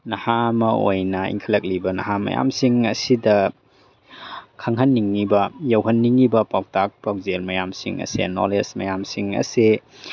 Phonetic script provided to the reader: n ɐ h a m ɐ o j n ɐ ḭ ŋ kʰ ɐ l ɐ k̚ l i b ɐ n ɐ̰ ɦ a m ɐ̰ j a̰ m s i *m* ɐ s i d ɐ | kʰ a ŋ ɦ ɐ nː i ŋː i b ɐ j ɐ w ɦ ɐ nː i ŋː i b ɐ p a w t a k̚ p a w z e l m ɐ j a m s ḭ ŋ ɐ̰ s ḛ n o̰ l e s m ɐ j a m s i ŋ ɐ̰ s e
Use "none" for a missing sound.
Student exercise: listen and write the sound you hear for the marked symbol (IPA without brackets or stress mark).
ŋ